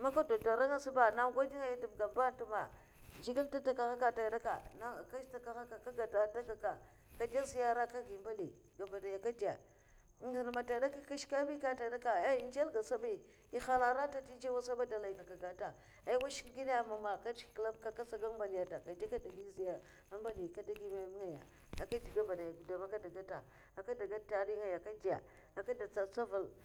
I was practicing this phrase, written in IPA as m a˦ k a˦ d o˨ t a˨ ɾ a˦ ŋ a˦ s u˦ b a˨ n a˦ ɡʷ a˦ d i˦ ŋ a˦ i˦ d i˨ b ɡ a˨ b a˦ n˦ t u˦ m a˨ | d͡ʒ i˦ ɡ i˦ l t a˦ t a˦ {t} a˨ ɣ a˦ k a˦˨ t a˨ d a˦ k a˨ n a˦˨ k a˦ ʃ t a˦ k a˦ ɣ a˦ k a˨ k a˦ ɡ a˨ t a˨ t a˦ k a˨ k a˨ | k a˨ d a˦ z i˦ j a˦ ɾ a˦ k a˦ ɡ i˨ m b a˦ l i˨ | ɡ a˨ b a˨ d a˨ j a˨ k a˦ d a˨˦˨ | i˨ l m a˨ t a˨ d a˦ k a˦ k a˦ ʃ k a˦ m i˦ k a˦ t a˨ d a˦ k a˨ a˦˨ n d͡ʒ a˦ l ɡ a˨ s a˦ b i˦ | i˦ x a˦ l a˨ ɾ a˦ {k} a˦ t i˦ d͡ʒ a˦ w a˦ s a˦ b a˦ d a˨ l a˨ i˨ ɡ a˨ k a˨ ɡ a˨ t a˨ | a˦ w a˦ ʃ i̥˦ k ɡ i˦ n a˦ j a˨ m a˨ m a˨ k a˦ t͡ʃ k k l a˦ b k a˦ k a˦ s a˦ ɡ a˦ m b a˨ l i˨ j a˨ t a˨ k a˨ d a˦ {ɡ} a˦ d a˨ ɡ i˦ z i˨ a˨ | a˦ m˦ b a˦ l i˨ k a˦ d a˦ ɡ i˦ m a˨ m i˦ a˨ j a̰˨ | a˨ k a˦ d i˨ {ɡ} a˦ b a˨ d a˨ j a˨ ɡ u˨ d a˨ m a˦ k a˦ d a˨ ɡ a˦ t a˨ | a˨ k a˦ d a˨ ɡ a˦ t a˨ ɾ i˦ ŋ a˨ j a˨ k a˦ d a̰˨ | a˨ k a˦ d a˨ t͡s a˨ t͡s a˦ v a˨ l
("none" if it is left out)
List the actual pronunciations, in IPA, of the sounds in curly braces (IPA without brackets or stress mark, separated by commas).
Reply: k, t, k, ɡ